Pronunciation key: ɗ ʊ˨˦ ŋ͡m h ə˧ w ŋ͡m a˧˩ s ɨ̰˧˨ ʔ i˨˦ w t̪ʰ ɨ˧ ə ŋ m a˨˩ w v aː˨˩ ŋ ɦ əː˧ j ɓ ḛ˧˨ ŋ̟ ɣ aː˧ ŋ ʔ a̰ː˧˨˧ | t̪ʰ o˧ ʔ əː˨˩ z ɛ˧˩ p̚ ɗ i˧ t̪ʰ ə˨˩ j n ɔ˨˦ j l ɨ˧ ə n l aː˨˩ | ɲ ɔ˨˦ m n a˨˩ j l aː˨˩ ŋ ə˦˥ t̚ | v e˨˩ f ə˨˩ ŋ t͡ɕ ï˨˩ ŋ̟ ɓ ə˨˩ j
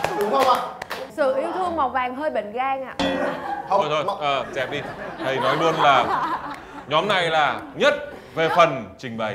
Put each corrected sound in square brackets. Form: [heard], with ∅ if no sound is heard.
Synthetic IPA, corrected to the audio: ɗ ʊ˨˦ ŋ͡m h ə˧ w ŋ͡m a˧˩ s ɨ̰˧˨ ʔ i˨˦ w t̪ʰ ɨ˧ ə ŋ m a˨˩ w v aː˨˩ ŋ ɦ əː˧ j ɓ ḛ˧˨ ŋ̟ ɣ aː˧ ŋ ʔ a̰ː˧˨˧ | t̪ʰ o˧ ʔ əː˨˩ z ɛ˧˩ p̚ ɗ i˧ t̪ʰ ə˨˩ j n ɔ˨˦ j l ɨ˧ ə n l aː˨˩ | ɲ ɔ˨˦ m n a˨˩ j l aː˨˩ [ɲ] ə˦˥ t̚ | v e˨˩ f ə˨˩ [n] t͡ɕ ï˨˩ ŋ̟ ɓ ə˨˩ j